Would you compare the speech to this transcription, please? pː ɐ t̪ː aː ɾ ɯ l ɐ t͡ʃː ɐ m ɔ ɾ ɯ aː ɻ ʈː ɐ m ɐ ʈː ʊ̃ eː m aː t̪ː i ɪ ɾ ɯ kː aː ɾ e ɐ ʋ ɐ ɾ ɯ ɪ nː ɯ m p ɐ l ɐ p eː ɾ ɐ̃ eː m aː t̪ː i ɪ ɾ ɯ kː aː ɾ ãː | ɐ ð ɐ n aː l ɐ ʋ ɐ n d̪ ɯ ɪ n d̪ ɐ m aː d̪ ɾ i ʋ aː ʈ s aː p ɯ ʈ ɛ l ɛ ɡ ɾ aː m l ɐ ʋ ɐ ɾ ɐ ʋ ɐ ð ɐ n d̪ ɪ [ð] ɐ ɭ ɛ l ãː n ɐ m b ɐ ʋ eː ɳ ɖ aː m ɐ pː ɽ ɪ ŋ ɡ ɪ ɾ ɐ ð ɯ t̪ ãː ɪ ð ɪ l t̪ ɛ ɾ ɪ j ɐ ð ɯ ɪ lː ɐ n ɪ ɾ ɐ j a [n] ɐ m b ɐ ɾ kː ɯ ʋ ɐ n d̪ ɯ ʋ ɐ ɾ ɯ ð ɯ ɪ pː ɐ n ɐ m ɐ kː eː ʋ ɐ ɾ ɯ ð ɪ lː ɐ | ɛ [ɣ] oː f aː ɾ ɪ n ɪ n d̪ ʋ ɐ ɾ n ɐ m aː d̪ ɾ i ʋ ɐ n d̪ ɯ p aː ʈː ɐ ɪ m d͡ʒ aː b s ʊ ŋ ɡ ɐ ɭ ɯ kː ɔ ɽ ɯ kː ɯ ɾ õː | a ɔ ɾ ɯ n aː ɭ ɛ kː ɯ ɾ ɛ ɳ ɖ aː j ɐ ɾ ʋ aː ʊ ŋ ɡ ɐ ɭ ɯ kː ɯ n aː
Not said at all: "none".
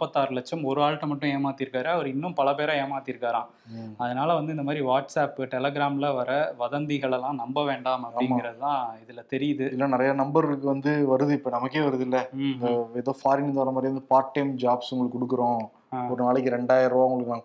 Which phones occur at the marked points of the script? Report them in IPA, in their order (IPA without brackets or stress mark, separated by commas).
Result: ɣ, n, ð